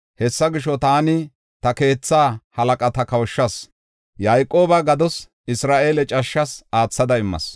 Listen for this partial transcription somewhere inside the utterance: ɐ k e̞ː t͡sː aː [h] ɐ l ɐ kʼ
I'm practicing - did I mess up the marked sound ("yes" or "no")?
no